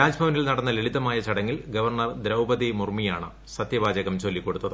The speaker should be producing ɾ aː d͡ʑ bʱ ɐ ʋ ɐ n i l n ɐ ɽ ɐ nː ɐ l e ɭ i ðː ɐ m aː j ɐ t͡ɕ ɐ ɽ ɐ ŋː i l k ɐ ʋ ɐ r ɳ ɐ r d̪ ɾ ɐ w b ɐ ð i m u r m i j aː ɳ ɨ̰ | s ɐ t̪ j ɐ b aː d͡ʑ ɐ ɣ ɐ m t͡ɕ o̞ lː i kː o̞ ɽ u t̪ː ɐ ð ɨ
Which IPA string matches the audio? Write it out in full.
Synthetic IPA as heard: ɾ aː d͡ʑ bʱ ɐ ʋ ɐ n i l n ɐ ɽ ɐ nː ɐ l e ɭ i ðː ɐ m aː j ɐ t͡ɕ ɐ ɽ ɐ ŋː i l ɡ ɐ ʋ ɐ r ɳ ɐ r d̪ ɾ ɐ w b ɐ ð i m u r m i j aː ɳ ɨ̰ | s ɐ t̪ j ɐ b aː d͡ʑ ɐ ɣ ɐ m t͡ɕ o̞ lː i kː o̞ ɽ u t̪ː ɐ ð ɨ